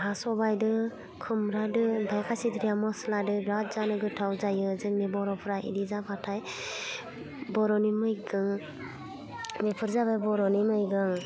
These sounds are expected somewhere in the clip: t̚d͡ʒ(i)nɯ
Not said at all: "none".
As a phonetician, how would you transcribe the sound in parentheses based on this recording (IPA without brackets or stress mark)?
a